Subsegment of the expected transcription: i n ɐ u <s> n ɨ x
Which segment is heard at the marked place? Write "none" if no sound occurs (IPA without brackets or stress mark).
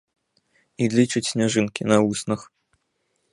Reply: s